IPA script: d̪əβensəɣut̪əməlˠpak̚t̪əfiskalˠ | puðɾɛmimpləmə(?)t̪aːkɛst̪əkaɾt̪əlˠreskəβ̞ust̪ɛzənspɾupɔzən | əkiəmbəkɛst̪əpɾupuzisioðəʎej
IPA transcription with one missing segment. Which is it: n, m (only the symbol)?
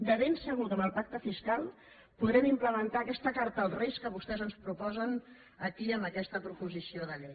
n